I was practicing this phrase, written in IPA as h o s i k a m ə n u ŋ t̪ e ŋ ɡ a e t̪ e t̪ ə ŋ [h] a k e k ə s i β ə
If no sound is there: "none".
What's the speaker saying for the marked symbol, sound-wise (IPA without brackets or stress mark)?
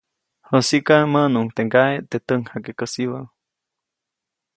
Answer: h